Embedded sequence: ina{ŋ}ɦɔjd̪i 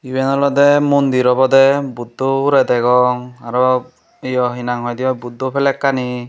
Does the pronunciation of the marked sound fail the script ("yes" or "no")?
no